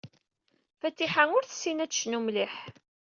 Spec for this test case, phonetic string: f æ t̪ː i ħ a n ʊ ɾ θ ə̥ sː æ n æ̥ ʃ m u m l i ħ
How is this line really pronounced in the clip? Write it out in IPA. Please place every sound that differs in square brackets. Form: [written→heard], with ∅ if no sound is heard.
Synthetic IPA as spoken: f æ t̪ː i ħ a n ʊ ɾ θ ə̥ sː [æ→i] n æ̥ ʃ [m→n] u m l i ħ